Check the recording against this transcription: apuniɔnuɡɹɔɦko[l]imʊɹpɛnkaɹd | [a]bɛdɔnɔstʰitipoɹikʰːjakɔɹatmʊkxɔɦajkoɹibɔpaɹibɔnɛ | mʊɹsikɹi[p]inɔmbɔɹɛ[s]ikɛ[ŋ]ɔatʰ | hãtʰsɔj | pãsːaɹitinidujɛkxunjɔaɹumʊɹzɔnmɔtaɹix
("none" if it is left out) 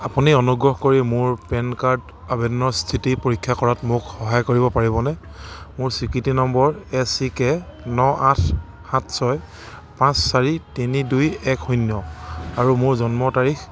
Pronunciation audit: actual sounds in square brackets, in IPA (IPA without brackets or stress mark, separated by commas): ɹ, a, t, s, n